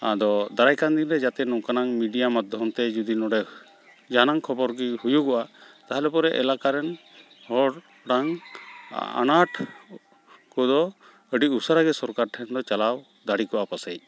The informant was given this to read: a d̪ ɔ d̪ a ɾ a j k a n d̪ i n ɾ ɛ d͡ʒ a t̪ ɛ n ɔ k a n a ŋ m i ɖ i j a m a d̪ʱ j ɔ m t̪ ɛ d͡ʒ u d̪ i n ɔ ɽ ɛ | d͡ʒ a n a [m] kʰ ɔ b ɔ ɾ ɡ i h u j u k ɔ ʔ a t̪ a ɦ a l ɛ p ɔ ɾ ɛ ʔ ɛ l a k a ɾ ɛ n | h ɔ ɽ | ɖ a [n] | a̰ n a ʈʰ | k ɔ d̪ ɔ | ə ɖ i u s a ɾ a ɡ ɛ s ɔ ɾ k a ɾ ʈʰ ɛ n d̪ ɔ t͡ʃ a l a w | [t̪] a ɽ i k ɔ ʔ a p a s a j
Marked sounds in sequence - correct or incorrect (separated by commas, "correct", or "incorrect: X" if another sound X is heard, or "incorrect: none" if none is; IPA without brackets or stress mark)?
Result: incorrect: ŋ, incorrect: ŋ, incorrect: d̪